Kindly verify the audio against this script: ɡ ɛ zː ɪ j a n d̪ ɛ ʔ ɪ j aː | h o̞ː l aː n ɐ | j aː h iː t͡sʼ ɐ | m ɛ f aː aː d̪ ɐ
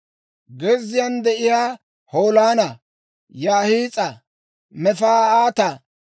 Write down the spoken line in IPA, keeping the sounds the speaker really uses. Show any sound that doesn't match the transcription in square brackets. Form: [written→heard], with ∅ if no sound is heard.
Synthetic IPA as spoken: ɡ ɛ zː ɪ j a n d̪ ɛ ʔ ɪ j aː | h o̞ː l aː n ɐ | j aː h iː t͡sʼ ɐ | m ɛ f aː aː [d̪→t̪] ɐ

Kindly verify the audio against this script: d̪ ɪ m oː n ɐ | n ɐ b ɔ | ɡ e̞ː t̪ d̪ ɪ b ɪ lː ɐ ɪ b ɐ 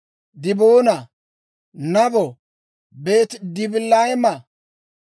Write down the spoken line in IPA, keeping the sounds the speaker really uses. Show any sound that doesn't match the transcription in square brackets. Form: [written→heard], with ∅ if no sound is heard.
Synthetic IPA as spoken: d̪ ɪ [m→b] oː n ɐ | n ɐ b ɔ | [ɡ→b] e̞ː t̪ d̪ ɪ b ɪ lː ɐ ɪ [b→m] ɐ

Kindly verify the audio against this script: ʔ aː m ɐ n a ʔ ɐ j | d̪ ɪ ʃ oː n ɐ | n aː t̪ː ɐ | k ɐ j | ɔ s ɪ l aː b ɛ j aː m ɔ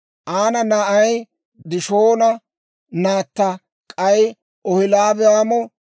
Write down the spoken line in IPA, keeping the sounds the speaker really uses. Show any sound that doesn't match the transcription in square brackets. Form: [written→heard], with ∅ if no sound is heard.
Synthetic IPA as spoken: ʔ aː [m→n] ɐ n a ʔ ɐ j | d̪ ɪ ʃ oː n ɐ | n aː t̪ː ɐ | [k→kʼ] ɐ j | ɔ [s→h] ɪ l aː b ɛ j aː m ɔ

